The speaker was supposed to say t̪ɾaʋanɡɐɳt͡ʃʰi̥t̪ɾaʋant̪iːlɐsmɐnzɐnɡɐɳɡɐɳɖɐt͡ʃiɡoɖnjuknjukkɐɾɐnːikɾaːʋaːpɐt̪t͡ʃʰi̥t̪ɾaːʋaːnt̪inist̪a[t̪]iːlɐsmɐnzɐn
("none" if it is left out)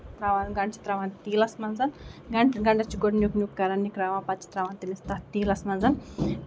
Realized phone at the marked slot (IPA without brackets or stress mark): t̪